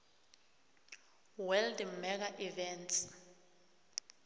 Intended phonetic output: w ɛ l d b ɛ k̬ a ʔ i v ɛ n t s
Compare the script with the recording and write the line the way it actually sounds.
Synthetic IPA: w ɛ l d m ɛ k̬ a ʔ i v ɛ n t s